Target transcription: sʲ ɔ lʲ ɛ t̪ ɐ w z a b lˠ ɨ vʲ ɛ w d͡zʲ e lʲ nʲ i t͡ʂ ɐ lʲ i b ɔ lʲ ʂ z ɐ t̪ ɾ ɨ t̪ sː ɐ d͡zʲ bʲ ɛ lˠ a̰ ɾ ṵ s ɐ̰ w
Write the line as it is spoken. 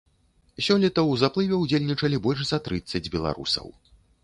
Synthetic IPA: sʲ ɔ lʲ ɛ t̪ ɐ w z a p lˠ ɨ vʲ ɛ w d͡zʲ e lʲ nʲ i t͡ʂ ɐ lʲ i b ɔ lʲ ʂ z ɐ t̪ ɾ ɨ t̪ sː ɐ d͡zʲ bʲ ɛ lˠ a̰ ɾ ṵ s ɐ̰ w

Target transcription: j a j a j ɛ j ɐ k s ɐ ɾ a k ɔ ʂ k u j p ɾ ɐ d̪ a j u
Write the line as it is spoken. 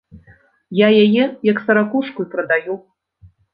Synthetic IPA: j a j a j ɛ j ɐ k s ɐ ɾ a k u ʂ k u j p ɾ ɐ d̪ a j u

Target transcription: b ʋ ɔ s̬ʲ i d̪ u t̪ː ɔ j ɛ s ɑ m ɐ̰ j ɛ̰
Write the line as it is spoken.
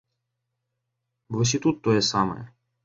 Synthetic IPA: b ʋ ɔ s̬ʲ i t̪ u t̪ː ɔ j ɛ s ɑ m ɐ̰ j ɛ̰

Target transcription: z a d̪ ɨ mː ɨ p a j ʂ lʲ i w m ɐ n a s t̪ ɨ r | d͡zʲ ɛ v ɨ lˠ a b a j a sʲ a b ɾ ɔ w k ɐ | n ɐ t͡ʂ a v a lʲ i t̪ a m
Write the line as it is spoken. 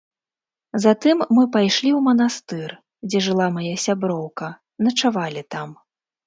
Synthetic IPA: z a t̪ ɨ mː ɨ p a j ʂ lʲ i w m ɐ n a s t̪ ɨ r | d͡zʲ ɛ ʐ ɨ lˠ a m a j a sʲ a b ɾ ɔ w k ɐ | n ɐ t͡ʂ a v a lʲ i t̪ a m

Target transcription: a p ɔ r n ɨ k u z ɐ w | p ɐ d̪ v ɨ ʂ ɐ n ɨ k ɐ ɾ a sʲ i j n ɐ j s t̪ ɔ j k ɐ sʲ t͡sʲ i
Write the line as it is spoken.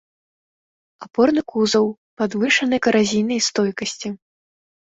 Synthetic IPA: a p ɔ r n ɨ k u z ɐ w | p a d̪ v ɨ ʂ ɐ n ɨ k ɐ ɾ a zʲ i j n ɐ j s t̪ ɔ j k ɐ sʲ t͡sʲ i

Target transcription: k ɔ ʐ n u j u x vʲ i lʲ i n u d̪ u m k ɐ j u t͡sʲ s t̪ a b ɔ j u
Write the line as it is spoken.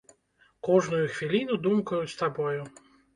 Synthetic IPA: k ɔ ʐ n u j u x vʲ i lʲ i n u d̪ u m k ɐ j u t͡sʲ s t̪ a b ɔ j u

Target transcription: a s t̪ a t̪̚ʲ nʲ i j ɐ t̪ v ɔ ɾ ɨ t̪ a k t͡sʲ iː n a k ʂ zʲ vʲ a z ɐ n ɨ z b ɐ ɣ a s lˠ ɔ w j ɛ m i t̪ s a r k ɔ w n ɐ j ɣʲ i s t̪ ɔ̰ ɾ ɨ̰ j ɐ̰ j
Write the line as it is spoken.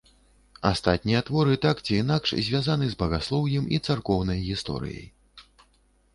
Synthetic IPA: a s t̪ a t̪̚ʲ nʲ i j ɐ t̪ v ɔ ɾ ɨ t̪ a k t͡sʲ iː n a k ʂ zʲ vʲ a z a n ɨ z b ɐ ɣ a s lˠ ɔ w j ɛ m i t̪ s a r k ɔ w n ɐ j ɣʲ i s t̪ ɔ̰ ɾ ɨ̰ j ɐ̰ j

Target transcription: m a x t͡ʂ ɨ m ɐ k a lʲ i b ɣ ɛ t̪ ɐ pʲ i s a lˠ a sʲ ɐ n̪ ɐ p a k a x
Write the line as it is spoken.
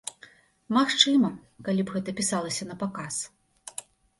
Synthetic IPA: m a x t͡ʂ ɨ m ɐ k a lʲ i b ɣ ɛ t̪ ɐ pʲ i s a lˠ ɐ sʲ ɐ n̪ ɐ p a k a s

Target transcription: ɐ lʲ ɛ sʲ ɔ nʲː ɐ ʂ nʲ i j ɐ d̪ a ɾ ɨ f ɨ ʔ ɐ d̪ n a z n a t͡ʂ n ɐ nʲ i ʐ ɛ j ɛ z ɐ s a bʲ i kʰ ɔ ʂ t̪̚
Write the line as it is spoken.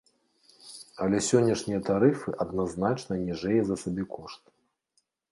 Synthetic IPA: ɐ lʲ ɛ sʲ ɔ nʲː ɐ ʂ nʲ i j ɐ t̪ a ɾ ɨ f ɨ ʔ ɐ d̪ n a z n a t͡ʂ n ɐ nʲ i ʐ ɛ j ɛ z ɐ s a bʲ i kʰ ɔ ʂ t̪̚

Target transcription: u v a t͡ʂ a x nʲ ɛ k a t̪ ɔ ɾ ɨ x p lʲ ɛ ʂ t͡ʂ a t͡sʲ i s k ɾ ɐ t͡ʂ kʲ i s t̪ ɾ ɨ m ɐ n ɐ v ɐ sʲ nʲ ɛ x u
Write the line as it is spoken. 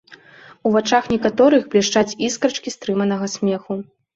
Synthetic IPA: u v a t͡ʂ a x nʲ ɛ k a t̪ ɔ ɾ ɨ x b lʲ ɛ ʂ t͡ʂ a t͡sʲ i s k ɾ ɐ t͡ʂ kʲ i s t̪ ɾ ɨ m ɐ n ɐ ɣ ɐ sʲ mʲ ɛ x u

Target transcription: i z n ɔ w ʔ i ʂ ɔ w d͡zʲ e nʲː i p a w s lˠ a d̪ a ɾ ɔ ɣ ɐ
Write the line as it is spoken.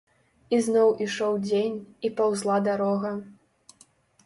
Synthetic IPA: i z n ɔ w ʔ i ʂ ɔ w d͡zʲ e nʲ i p a w z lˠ a d̪ a ɾ ɔ ɣ ɐ

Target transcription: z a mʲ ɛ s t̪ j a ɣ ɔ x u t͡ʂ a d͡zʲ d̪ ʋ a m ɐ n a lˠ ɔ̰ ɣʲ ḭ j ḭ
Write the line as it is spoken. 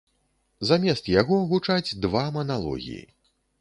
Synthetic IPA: z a mʲ ɛ s t̪ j a ɣ ɔ ɣ u t͡ʂ a d͡zʲ d̪ v a m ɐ n a lˠ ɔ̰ ɣʲ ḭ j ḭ

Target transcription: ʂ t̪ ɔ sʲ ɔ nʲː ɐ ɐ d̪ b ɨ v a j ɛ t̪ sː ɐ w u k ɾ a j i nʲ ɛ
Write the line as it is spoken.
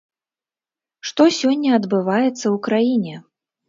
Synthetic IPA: ʂ t̪ ɔ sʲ ɔ nʲː ɐ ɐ d̪ b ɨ v a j ɛ t̪ sː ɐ w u k ɾ a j i nʲ ɛ

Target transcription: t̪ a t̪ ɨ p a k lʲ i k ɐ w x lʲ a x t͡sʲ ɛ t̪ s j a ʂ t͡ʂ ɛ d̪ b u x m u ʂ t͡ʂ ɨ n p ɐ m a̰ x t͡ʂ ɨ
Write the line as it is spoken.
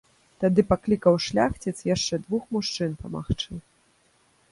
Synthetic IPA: t̪ a d̪ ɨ p a k lʲ i k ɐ w ʂ lʲ a x t͡sʲ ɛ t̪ s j a ʂ t͡ʂ ɛ d̪ v u x m u ʂ t͡ʂ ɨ n p ɐ m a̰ x t͡ʂ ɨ

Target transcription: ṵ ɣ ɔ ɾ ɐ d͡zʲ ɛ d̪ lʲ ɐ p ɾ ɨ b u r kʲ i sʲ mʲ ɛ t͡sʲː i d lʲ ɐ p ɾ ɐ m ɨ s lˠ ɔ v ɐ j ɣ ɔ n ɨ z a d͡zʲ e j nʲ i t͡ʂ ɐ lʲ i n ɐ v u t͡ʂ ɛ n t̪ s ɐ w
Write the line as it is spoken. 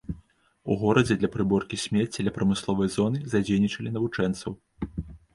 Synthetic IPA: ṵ ɣ ɔ ɾ ɐ d͡zʲ ɛ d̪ lʲ ɐ p ɾ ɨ b ɔ r kʲ i sʲ mʲ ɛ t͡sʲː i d lʲ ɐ p ɾ ɐ m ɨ s lˠ ɔ v ɐ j z ɔ n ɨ z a d͡zʲ e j nʲ i t͡ʂ ɐ lʲ i n ɐ v u t͡ʂ ɛ n t̪ s ɐ w

